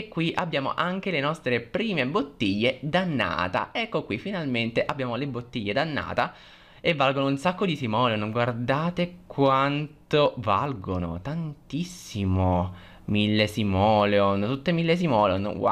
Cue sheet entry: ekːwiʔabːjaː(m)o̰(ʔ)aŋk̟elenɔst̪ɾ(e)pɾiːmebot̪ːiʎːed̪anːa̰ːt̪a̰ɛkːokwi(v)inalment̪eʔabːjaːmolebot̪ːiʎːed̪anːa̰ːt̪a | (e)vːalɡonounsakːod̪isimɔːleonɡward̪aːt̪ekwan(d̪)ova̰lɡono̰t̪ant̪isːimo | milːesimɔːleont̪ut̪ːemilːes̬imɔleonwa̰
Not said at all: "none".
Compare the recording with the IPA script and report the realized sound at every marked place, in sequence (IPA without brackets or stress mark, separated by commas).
m, ʔ, e, f, e, t̪